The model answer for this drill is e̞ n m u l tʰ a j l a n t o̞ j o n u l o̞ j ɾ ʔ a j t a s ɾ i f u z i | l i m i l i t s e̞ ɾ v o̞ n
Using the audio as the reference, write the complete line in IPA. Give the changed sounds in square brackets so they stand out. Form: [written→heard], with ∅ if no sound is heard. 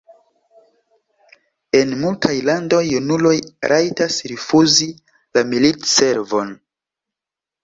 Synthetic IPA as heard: e̞ n m u l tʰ a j l a n [t→d] o̞ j [o→u] n u l o̞ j ɾ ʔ a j t a s ɾ i f u z i | l [i→a] m i l i t s e̞ ɾ v o̞ n